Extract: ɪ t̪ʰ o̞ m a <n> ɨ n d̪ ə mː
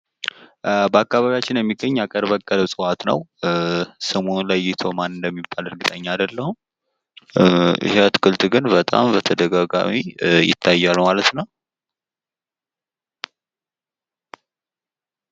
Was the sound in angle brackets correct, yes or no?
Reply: yes